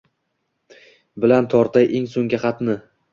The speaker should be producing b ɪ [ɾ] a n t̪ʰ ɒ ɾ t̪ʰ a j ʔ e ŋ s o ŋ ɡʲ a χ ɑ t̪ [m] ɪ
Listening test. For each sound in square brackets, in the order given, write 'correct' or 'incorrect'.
incorrect: l, incorrect: n

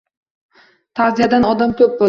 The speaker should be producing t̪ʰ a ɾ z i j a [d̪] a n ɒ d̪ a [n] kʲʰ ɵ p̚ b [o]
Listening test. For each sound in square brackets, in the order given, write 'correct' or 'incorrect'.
correct, incorrect: m, correct

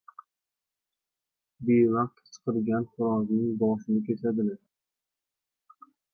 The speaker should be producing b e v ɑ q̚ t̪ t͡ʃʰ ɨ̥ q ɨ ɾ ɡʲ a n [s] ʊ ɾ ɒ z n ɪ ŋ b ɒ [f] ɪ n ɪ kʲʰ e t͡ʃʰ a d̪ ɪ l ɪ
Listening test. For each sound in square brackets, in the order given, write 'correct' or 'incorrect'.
incorrect: χ, incorrect: ʃ

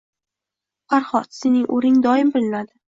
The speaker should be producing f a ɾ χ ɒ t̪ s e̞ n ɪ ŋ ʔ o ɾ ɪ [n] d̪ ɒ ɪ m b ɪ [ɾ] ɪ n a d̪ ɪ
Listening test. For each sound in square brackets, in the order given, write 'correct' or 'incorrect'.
incorrect: ŋ, incorrect: l

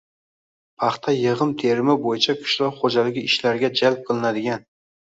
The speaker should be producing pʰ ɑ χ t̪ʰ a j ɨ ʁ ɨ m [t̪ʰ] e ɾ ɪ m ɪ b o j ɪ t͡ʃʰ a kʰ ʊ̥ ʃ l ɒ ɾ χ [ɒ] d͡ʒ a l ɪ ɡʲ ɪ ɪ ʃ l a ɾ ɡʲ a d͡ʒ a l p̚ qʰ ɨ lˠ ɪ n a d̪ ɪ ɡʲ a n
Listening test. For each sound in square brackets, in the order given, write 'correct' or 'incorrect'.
correct, incorrect: o

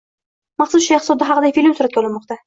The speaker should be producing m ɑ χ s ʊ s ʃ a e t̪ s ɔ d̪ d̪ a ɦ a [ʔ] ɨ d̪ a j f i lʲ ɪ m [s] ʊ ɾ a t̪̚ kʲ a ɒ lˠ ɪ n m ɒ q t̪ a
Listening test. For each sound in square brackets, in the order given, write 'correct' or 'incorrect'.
incorrect: q, correct

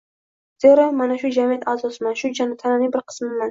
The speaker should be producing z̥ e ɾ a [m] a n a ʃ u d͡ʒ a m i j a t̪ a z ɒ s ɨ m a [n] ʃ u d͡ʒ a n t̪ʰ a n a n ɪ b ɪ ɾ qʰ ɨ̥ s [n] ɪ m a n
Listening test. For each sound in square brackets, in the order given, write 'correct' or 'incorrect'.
correct, correct, incorrect: m

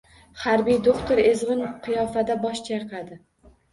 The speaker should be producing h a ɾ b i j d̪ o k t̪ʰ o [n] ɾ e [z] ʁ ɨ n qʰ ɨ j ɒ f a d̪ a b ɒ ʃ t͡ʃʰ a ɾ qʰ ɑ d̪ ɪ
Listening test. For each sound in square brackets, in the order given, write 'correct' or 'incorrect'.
incorrect: none, correct

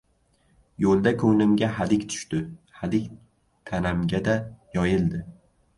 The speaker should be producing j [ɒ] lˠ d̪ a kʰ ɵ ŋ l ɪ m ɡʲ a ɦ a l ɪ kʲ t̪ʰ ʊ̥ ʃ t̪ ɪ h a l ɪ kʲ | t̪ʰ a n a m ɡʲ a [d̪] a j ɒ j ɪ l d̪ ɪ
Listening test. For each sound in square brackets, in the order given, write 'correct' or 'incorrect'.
incorrect: o, correct

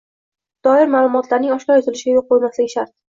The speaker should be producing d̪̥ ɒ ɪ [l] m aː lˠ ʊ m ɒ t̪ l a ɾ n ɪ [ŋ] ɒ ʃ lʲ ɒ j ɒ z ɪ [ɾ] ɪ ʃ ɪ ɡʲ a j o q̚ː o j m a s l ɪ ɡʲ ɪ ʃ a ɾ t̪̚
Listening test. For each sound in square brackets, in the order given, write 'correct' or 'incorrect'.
incorrect: ɾ, correct, incorrect: l

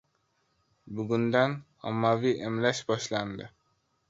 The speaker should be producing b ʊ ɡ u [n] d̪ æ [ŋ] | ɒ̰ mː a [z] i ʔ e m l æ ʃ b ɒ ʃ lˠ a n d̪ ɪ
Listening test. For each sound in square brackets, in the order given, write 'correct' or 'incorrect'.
correct, incorrect: n, incorrect: v

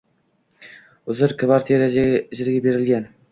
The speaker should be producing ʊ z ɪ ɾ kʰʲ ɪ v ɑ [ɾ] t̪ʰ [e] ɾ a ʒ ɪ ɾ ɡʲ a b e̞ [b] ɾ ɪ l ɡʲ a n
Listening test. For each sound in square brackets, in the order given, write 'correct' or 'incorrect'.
correct, correct, incorrect: none

